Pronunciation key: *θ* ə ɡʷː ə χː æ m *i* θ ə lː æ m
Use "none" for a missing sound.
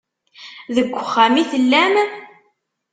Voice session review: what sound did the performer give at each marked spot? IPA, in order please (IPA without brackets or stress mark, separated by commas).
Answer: ð, i